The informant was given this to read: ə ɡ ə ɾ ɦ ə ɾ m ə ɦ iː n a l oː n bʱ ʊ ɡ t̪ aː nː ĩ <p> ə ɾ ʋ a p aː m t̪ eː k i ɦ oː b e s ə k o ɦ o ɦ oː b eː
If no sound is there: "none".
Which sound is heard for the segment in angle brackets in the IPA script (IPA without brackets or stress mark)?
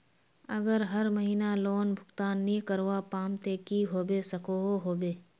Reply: k